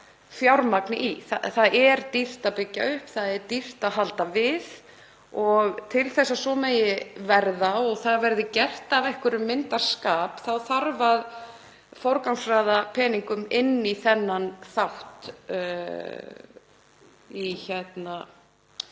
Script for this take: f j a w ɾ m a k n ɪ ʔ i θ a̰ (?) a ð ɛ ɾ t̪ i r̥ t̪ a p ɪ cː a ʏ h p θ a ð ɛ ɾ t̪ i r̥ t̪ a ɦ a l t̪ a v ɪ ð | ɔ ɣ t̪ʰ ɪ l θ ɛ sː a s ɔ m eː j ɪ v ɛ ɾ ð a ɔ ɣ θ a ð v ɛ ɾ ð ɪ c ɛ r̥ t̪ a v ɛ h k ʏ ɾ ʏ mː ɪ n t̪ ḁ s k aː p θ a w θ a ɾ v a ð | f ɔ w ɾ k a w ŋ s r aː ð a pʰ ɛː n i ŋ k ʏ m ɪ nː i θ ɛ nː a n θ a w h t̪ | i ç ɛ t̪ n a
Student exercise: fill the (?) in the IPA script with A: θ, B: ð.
A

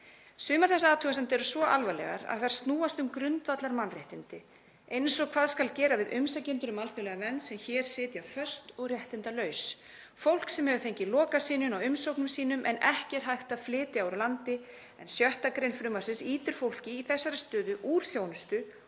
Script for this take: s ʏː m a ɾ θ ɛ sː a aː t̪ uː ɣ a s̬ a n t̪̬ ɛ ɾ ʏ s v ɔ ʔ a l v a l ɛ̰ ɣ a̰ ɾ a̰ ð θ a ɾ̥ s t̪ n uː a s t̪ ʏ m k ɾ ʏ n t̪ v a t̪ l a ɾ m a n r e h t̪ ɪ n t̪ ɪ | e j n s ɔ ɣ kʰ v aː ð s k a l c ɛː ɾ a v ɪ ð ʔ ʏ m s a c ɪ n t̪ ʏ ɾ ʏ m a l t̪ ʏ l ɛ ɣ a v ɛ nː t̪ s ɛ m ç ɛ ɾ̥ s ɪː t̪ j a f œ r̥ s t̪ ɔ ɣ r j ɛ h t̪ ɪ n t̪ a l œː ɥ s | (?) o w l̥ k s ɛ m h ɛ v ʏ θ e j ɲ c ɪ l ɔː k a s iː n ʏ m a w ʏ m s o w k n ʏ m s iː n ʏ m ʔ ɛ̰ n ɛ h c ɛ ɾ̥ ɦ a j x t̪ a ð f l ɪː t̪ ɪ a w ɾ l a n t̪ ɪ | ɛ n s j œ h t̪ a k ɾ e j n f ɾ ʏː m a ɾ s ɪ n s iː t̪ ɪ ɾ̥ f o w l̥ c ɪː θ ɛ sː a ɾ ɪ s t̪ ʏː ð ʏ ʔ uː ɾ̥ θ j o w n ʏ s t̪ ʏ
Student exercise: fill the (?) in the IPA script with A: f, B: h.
A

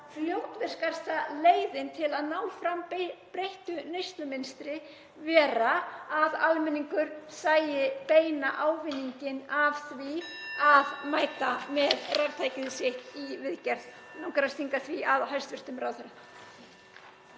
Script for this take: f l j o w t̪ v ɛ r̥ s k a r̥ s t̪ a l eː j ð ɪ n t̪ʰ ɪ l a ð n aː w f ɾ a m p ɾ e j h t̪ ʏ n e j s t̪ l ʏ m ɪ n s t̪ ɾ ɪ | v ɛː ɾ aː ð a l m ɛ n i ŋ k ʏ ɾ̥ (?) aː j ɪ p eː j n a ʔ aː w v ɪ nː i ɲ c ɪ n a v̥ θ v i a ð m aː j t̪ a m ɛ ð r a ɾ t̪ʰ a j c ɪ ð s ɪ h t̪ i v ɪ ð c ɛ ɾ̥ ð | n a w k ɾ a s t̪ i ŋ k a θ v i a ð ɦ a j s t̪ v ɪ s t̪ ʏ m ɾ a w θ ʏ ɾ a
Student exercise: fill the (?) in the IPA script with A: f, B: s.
B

